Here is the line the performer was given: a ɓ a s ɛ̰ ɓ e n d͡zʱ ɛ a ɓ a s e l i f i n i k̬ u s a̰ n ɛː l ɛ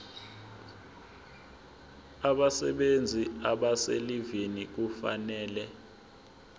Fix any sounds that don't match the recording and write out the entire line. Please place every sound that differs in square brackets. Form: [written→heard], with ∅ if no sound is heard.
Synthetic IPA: a ɓ a s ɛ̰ ɓ e n d͡zʱ [ɛ→i] a ɓ a s e l i [f→v] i n i k̬ u [s→f] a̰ n ɛː l ɛ